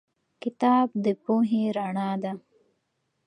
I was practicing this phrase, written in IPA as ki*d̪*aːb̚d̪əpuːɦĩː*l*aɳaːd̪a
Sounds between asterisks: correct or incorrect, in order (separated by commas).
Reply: incorrect, incorrect